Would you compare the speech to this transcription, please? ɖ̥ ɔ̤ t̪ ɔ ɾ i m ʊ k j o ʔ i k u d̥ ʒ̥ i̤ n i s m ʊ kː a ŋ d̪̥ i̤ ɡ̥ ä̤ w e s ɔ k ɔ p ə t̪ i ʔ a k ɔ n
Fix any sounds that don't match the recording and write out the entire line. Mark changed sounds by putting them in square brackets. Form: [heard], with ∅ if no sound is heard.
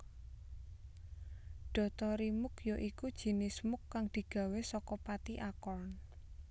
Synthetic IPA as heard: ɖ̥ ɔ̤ t̪ ɔ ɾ i m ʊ k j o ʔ i k u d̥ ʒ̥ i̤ n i s m ʊ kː a ŋ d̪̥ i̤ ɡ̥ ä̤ w e s ɔ k ɔ p [a] t̪ i ʔ a k ɔ n